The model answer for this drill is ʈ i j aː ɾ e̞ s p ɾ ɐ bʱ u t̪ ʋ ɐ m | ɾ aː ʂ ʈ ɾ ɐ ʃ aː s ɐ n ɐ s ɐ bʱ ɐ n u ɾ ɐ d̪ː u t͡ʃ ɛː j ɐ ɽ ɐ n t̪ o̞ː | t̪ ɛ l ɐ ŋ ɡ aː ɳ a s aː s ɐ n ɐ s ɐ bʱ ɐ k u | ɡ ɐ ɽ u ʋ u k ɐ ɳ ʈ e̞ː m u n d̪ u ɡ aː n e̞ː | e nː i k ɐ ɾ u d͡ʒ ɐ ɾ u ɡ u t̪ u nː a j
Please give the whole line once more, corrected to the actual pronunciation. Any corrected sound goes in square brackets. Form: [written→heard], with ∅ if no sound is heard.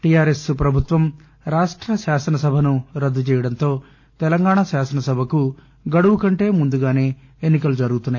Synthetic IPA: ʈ i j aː ɾ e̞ s p ɾ ɐ bʱ u t̪ ʋ ɐ m | ɾ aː ʂ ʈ ɾ ɐ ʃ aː s ɐ n ɐ s ɐ bʱ ɐ n u ɾ ɐ d̪ː u t͡ʃ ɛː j ɐ ɽ ɐ n t̪ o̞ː | t̪ ɛ l ɐ ŋ ɡ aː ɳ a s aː s ɐ n ɐ s ɐ bʱ ɐ k u | ɡ ɐ ɽ u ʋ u k ɐ ɳ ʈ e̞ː m u n d̪ u ɡ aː n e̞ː | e nː i k ɐ [ɾ→l] u d͡ʒ ɐ ɾ u ɡ u t̪ u nː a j

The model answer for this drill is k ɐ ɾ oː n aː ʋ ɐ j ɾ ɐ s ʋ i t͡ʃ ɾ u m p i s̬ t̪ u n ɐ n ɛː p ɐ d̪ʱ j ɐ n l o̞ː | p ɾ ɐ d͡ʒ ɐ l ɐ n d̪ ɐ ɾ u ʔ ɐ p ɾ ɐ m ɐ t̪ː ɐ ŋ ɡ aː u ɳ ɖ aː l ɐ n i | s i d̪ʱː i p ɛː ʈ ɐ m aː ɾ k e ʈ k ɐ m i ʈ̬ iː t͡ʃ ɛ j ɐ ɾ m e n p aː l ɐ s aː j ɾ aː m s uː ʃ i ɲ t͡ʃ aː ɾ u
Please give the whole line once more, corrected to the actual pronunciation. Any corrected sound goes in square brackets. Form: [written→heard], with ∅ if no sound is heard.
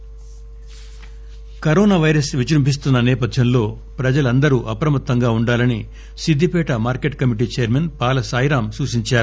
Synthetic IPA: k ɐ ɾ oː n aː ʋ ɐ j ɾ ɐ s ʋ i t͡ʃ ɾ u m p i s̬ t̪ u [n→nː] ɐ n ɛː p ɐ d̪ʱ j ɐ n l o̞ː | p ɾ ɐ d͡ʒ ɐ l ɐ n d̪ ɐ ɾ u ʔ ɐ p ɾ ɐ m ɐ t̪ː ɐ ŋ ɡ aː u ɳ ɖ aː l ɐ n i | s i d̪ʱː i p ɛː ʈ ɐ m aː ɾ k e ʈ k ɐ m i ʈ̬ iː t͡ʃ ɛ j ɐ ɾ m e n p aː l ɐ s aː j ɾ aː m s uː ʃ i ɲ t͡ʃ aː ɾ u

